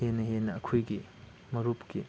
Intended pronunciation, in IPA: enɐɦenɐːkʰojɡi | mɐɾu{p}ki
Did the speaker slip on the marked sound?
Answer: no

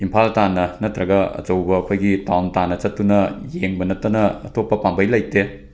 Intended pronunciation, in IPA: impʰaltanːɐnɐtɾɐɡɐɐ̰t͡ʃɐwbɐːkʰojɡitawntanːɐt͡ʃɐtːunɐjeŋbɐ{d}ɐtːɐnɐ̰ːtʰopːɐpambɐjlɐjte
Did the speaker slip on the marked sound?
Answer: yes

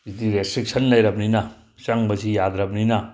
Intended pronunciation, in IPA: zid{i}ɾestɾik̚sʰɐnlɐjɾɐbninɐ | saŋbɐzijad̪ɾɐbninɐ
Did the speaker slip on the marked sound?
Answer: no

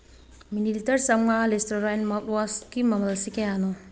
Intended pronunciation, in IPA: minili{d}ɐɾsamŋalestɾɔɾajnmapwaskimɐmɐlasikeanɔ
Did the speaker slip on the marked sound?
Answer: yes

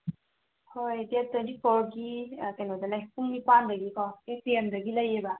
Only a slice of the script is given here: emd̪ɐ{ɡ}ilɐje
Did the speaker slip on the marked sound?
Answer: no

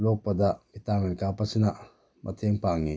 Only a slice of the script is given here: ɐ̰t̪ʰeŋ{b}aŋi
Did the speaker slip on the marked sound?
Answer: yes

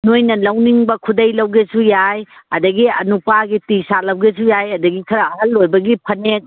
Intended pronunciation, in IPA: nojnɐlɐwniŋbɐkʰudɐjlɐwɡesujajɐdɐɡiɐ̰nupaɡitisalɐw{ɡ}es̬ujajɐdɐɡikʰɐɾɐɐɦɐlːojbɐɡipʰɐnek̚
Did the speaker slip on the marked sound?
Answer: no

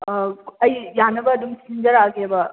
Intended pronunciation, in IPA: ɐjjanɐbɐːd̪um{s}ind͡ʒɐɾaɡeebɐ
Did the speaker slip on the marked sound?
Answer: no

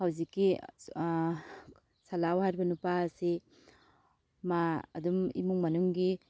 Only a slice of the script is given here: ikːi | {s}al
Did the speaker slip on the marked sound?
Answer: no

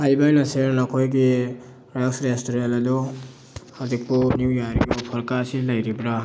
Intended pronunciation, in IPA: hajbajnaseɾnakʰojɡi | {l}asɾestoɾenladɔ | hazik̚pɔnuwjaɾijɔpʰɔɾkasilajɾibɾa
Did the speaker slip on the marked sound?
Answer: yes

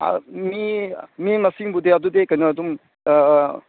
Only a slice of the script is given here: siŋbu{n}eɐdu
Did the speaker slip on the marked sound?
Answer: yes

